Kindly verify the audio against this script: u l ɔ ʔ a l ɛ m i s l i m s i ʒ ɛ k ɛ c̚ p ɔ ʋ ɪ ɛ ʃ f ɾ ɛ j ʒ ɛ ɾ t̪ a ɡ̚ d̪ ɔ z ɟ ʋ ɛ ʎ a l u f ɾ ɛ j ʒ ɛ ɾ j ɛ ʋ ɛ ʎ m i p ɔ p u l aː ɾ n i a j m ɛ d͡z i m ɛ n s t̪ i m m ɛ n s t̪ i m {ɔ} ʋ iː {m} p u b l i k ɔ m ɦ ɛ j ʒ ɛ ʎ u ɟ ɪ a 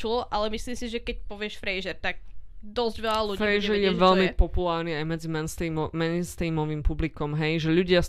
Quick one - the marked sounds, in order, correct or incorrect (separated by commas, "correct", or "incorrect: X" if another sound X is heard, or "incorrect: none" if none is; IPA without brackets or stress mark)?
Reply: correct, correct